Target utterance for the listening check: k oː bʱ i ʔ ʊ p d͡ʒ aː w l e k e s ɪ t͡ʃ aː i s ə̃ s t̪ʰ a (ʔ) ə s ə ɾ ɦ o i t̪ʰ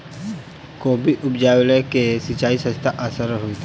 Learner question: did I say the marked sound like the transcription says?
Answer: yes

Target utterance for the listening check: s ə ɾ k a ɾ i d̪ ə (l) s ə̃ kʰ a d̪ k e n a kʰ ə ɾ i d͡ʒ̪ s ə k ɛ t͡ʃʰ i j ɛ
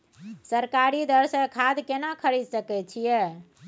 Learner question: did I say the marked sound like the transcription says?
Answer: no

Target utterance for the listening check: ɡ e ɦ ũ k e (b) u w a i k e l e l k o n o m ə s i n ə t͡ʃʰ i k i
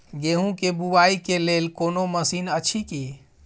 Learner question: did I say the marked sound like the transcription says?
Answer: yes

